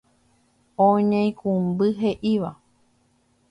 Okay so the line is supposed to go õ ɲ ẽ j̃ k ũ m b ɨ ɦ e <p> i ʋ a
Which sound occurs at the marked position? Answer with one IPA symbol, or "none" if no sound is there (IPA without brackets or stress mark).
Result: ʔ